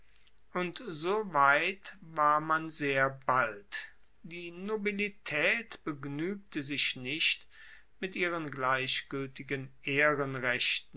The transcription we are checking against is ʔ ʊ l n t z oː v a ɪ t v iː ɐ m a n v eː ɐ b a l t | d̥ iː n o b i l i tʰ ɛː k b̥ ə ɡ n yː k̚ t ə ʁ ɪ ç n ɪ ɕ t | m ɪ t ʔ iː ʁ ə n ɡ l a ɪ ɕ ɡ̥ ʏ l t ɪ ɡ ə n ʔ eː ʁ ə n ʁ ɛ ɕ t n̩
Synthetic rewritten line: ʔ ʊ n t z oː v a ɪ t v aː ɐ m a n z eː ɐ b a l t | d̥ iː n o b i l i tʰ ɛː t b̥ ə ɡ n yː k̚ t ə z ɪ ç n ɪ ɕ t | m ɪ t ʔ iː ʁ ə n ɡ l a ɪ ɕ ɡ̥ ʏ l t ɪ ɡ ə n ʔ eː ʁ ə n ʁ ɛ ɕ t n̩

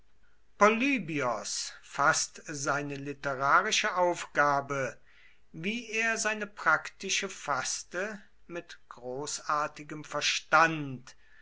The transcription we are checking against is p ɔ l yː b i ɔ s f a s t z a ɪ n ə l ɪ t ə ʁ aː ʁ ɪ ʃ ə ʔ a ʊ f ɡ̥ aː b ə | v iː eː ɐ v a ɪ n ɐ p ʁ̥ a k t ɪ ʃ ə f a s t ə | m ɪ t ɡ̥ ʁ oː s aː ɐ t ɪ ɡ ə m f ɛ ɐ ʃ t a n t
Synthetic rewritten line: p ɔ l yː b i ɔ s f a s t z a ɪ n ə l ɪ t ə ʁ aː ʁ ɪ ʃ ə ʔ a ʊ f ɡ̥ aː b ə | v iː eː ɐ z a ɪ n ə p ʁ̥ a k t ɪ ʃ ə f a s t ə | m ɪ t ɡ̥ ʁ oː s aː ɐ t ɪ ɡ ə m f ɛ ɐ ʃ t a n t

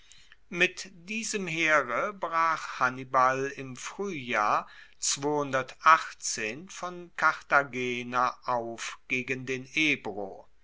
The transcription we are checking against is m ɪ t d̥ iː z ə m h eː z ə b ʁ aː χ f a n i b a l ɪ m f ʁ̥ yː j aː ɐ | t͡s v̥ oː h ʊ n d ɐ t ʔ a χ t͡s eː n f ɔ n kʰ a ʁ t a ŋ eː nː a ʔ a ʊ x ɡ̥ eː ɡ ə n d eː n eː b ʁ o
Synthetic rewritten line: m ɪ t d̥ iː z ə m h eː ʁ ə b ʁ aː χ h a n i b a l ɪ m f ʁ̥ yː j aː ɐ | t͡s v̥ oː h ʊ n d ɐ t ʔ a χ t͡s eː n f ɔ n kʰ a ʁ t a ɡ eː n a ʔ a ʊ f ɡ̥ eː ɡ ə n d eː n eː b ʁ o

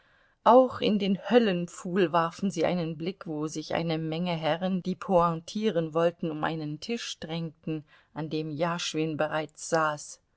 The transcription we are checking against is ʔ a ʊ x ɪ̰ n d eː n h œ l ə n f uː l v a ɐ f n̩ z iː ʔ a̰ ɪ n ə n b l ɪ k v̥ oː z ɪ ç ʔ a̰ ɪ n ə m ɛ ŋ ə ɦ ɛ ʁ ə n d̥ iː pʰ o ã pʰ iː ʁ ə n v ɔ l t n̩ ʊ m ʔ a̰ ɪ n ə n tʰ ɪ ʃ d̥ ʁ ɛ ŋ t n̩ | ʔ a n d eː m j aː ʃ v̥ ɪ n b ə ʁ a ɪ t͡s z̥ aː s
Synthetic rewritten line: ʔ a ʊ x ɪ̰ n d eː n h œ l ə n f uː l v a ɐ f n̩ z iː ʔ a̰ ɪ n ə n b l ɪ k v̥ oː z ɪ ç ʔ a̰ ɪ n ə m ɛ ŋ ə ɦ ɛ ʁ ə n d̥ iː pʰ o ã tʰ iː ʁ ə n v ɔ l t n̩ ʊ m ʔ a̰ ɪ n ə n tʰ ɪ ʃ d̥ ʁ ɛ ŋ t n̩ | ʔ a n d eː m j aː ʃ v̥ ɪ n b ə ʁ a ɪ t͡s z̥ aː s

